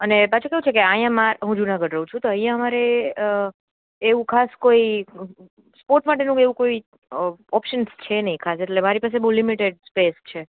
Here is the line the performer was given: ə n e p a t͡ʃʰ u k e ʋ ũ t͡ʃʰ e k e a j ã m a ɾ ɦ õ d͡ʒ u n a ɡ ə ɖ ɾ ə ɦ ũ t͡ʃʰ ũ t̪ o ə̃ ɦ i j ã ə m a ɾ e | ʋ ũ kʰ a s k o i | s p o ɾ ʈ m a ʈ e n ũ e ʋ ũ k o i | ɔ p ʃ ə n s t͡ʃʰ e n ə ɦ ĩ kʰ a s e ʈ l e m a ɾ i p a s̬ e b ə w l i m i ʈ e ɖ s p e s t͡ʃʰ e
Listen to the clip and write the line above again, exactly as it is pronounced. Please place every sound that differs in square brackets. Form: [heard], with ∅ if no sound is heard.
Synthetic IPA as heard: ə n e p a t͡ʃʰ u k e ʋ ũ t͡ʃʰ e k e a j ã m a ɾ ɦ [ũ] d͡ʒ u n a ɡ ə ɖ ɾ ə ɦ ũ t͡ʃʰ ũ t̪ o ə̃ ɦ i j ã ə m a ɾ e | ʋ ũ kʰ a s k o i | s p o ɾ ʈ m a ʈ e n ũ e ʋ ũ k o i | ɔ p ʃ ə n s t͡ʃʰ e n ə ɦ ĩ kʰ a s e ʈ l e m a ɾ i p a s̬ e b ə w l i m i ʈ e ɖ s p e s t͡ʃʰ e